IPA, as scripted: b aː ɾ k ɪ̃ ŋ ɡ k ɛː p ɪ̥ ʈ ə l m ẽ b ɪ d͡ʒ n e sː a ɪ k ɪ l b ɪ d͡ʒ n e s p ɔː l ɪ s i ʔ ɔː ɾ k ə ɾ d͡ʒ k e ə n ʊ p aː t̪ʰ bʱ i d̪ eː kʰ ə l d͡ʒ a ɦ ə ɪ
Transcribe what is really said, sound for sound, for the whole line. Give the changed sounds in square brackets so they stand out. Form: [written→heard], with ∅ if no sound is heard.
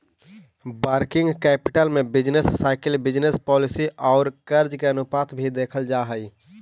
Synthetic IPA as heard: b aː ɾ k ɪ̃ ŋ ɡ k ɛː p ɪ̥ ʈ ə l m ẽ b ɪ d͡ʒ n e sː a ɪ k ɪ l b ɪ d͡ʒ n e s p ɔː l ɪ s i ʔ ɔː ɾ k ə ɾ d͡ʒ k e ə n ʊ p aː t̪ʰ bʱ i d̪ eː kʰ ə l d͡ʒ a ɦ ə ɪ